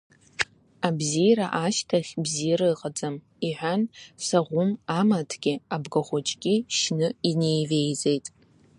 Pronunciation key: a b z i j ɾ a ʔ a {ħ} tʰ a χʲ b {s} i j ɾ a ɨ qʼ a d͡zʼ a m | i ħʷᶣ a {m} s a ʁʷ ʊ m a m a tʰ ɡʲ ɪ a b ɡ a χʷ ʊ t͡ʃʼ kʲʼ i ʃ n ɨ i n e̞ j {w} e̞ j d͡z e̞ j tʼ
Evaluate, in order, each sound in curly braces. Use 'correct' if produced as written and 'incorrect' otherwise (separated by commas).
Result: incorrect, incorrect, incorrect, incorrect